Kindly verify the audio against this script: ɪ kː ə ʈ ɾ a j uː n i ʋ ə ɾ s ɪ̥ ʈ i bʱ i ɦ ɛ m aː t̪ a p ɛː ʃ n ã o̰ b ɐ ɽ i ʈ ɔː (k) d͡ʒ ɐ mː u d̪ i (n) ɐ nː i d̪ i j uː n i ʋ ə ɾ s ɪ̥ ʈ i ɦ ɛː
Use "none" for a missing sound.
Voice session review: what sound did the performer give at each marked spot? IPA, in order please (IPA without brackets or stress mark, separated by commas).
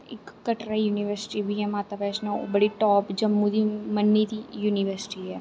p, m